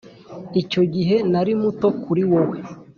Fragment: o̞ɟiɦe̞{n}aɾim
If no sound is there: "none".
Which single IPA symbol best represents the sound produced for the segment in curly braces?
n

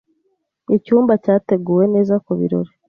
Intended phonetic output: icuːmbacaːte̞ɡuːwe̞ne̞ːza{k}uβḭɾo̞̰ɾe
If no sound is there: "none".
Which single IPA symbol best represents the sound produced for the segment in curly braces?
k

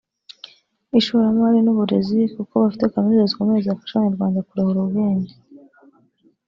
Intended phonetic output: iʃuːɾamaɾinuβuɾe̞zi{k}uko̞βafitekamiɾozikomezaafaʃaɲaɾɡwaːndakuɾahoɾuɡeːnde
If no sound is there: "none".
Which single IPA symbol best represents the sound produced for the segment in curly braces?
k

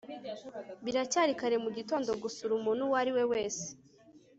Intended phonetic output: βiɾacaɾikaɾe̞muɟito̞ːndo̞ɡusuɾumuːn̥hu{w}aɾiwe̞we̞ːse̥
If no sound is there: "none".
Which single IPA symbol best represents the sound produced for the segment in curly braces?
w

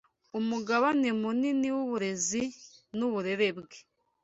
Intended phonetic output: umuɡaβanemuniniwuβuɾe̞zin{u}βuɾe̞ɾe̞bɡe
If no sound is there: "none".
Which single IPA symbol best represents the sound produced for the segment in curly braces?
u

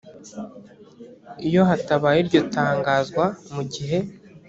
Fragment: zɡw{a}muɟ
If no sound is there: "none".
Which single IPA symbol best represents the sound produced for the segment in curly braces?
a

